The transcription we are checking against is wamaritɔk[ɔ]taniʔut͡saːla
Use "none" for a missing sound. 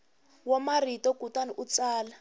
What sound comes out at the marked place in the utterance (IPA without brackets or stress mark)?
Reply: u